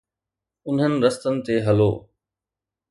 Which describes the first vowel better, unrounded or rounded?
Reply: rounded